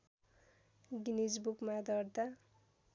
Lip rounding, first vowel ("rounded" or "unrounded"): unrounded